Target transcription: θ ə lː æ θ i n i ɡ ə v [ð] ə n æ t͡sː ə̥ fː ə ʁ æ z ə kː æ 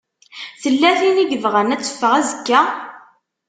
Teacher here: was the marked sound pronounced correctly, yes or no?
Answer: no